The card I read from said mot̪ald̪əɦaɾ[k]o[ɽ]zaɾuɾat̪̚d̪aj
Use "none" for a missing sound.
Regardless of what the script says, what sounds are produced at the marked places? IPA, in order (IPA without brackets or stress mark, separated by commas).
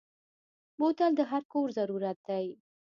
k, ɾ